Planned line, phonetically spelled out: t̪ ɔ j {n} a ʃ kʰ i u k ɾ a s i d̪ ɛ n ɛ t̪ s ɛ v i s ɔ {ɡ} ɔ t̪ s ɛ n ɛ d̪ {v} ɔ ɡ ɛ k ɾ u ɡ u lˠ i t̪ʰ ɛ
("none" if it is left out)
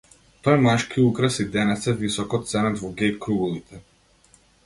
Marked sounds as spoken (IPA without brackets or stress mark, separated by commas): m, k, v